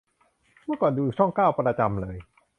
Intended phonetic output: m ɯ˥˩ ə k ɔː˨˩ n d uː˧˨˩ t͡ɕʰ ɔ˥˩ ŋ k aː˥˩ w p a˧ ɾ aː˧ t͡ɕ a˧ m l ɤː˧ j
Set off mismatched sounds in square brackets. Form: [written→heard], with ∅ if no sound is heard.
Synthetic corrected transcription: m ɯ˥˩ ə k ɔː˨˩ n d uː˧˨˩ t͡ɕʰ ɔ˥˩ ŋ k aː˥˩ w p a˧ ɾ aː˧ t͡ɕ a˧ m l ɤː˧ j